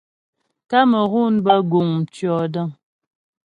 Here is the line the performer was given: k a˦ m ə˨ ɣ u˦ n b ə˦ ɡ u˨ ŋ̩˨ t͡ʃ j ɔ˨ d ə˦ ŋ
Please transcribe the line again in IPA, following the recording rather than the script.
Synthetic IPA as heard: k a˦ m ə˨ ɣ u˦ n b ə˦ ɡ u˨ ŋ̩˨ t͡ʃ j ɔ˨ d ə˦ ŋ